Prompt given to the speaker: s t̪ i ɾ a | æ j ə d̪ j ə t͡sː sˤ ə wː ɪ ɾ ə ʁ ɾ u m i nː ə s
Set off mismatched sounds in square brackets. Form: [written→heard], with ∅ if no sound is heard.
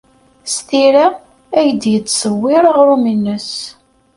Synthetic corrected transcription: s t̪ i ɾ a | æ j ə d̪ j ə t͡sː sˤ ə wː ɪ ɾ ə ʁ ɾ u m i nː ə s